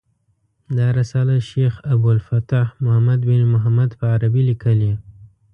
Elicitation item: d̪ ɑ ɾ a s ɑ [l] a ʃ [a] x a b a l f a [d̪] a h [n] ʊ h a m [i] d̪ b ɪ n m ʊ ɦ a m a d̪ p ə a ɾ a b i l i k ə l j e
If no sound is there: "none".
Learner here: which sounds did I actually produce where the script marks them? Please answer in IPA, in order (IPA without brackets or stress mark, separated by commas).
l, e, t̪, m, a